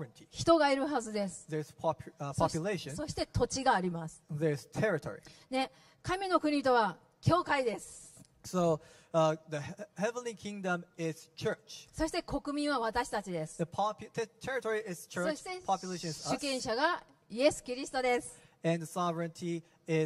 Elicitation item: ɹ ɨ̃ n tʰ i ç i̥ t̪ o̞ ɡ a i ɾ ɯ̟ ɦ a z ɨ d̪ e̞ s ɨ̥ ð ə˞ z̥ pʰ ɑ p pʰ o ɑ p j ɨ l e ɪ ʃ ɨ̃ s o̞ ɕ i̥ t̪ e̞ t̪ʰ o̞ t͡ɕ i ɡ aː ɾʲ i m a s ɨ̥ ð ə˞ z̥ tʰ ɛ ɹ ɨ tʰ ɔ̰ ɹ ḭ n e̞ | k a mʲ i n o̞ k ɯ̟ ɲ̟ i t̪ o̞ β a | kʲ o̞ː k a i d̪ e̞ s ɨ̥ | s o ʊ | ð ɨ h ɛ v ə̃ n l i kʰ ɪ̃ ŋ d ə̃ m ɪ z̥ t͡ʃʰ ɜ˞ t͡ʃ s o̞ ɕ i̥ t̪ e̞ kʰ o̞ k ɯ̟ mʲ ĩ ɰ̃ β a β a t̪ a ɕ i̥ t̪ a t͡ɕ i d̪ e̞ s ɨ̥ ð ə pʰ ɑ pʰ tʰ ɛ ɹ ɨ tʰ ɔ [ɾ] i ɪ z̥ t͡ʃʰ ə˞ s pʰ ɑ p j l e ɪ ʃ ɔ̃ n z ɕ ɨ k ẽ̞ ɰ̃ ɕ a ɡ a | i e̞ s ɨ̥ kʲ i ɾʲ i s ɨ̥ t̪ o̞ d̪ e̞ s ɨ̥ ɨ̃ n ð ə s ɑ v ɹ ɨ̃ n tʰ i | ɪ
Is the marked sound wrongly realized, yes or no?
yes